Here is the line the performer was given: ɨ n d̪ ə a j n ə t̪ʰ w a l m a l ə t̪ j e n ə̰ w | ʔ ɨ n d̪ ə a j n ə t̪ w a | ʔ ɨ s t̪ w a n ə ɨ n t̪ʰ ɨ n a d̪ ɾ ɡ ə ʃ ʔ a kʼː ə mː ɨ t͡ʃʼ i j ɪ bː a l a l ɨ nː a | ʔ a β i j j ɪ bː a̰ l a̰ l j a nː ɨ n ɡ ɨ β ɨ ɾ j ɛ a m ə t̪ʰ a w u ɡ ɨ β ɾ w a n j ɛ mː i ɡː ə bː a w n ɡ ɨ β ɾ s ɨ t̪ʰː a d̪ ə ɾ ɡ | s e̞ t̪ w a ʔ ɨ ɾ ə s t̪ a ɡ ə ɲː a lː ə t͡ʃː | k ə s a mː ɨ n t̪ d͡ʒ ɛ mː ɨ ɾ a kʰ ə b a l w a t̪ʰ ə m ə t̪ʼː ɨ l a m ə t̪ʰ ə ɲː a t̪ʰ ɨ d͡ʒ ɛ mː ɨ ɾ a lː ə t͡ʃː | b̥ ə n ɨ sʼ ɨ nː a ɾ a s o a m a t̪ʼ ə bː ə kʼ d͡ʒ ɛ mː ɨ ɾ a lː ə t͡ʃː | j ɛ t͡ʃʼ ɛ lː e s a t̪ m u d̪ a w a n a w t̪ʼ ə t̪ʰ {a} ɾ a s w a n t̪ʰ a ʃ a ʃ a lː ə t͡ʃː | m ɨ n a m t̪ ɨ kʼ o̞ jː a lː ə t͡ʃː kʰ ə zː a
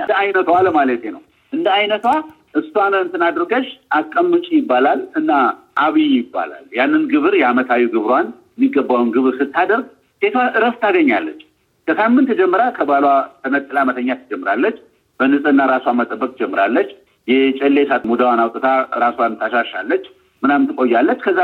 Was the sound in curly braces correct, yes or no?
yes